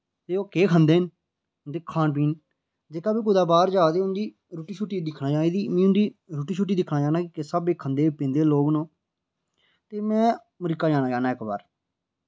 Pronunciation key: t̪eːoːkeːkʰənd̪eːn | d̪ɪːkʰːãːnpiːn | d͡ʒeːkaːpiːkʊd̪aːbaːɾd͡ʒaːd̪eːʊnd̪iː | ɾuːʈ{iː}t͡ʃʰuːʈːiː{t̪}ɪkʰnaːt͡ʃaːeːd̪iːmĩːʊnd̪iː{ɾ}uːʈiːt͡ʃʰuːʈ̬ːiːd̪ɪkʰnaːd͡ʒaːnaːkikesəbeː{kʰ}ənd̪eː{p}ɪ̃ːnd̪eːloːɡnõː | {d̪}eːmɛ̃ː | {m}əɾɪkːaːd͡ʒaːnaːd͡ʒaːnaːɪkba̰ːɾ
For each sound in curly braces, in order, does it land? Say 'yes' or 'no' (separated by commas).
yes, no, yes, yes, yes, no, yes